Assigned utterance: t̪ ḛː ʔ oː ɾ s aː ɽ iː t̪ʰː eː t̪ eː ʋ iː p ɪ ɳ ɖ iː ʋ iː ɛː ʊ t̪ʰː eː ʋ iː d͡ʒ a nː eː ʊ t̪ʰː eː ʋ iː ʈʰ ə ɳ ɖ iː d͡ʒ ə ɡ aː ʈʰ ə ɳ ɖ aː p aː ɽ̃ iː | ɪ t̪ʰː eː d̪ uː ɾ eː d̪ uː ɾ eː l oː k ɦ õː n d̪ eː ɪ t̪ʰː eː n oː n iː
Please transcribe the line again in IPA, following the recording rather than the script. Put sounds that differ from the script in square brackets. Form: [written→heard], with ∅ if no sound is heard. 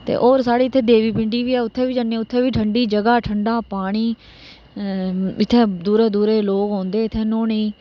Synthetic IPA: t̪ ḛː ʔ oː ɾ s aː ɽ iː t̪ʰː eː [t̪→d̪] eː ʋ iː p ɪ ɳ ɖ iː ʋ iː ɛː ʊ t̪ʰː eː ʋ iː d͡ʒ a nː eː ʊ t̪ʰː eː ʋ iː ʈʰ ə ɳ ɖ iː d͡ʒ ə ɡ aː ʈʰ ə ɳ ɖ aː p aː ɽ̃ iː | ɪ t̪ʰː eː d̪ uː ɾ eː d̪ uː ɾ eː l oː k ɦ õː n d̪ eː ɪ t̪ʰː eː n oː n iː